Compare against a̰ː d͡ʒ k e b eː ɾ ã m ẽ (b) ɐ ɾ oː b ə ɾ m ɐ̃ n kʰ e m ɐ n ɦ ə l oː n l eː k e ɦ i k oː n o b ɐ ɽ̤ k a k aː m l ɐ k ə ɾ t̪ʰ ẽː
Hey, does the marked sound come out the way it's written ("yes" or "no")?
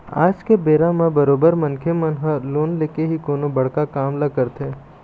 yes